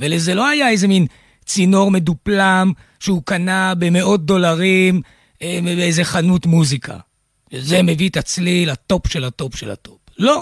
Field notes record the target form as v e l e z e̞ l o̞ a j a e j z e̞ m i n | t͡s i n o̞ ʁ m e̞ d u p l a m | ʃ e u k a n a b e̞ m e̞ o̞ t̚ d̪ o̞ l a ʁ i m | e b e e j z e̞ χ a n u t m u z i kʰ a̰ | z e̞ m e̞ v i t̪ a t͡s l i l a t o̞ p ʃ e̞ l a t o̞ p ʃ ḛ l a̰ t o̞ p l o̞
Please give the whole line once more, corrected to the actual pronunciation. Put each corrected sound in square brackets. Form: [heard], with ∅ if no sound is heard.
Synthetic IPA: v e l e z e̞ l o̞ a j a e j z e̞ m i n | t͡s i n o̞ ʁ m e̞ d u p l a m | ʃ e u k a n a b e̞ m e̞ o̞ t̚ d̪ o̞ l a ʁ i m | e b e e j z e̞ χ a n u t m u z i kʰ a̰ | z e̞ m e̞ v i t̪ a t͡s l i l a t o̞ p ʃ e̞ l a t o̞ p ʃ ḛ l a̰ t o̞ p l o̞